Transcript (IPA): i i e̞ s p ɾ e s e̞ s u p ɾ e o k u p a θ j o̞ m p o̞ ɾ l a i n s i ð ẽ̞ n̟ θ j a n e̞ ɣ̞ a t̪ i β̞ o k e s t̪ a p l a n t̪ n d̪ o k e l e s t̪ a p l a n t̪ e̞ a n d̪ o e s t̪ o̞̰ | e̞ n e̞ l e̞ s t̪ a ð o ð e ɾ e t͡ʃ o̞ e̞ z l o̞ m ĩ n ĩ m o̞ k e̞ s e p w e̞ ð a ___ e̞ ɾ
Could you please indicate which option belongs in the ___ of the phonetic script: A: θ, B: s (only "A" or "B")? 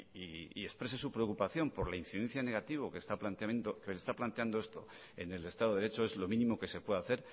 A